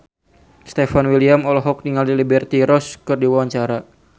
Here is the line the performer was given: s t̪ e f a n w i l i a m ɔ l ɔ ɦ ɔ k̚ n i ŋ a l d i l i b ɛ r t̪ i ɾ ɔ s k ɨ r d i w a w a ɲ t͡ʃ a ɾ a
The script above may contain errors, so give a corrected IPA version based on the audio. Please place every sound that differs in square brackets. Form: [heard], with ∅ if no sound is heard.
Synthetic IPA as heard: s t̪ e f a n w i l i a m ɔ l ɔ ɦ ɔ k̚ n i ŋ a l d i l i b ɛ r t̪ i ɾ ɔ s k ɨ r d i w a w a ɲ t͡ʃ a ɾ a